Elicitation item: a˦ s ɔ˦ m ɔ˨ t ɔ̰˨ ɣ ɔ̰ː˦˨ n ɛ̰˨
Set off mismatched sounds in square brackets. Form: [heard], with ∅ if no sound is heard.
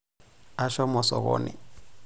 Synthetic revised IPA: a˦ [ʃ] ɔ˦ m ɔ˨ [s] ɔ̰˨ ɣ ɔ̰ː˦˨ n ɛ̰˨

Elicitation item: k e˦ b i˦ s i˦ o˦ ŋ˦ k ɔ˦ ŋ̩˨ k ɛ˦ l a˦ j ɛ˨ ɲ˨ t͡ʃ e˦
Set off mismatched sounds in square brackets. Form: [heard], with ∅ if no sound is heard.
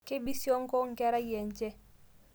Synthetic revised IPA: k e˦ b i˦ s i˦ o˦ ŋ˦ k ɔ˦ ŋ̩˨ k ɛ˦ [ɾ] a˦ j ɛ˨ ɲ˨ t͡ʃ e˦

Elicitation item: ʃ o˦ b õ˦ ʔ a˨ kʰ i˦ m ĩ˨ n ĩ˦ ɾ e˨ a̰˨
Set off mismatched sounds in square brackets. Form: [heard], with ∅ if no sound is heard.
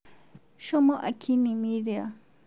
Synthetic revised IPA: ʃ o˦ [m] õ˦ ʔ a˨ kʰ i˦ [n] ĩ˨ [m] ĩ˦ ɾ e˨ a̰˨

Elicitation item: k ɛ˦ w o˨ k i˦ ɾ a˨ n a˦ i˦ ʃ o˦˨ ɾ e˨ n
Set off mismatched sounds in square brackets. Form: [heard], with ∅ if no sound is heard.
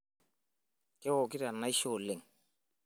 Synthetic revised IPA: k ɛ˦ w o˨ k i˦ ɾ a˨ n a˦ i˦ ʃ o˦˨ [l] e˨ [ŋ]

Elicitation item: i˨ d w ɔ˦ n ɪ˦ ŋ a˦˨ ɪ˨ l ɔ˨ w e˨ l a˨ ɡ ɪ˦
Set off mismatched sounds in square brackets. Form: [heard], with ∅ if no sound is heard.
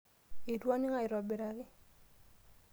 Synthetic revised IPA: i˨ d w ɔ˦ n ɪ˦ ŋ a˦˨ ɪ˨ [ɾ] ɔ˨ [b] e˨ [ɾ] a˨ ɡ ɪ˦

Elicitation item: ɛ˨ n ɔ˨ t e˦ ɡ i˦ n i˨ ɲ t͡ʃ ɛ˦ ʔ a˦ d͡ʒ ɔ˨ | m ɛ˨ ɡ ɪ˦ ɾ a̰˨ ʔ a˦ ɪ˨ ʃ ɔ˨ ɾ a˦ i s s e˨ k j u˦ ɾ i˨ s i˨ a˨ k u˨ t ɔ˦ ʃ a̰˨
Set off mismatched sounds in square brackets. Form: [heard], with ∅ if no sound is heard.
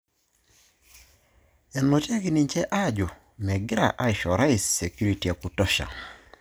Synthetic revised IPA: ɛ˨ n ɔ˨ t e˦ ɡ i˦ n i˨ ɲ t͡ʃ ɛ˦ ʔ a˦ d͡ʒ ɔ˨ | m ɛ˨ ɡ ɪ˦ ɾ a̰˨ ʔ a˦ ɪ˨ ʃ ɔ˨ ɾ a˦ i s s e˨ k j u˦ ɾ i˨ [t] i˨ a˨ k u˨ t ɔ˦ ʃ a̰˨

